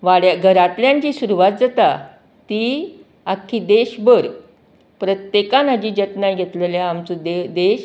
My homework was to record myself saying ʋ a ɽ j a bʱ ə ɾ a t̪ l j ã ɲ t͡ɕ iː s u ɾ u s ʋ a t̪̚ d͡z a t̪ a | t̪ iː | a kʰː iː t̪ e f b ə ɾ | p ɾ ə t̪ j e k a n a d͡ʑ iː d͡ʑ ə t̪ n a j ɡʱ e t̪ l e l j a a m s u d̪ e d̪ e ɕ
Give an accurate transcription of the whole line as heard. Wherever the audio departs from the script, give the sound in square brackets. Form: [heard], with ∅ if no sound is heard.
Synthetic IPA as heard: ʋ a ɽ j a [ɡʱ] ə ɾ a t̪ l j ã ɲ t͡ɕ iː s u ɾ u [∅] ʋ a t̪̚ d͡z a t̪ a | t̪ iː | a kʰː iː [d̪] e [ɕ] b ə ɾ | p ɾ ə t̪ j e k a n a d͡ʑ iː d͡ʑ ə t̪ n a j ɡʱ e t̪ l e l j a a m [t͡s] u d̪ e d̪ e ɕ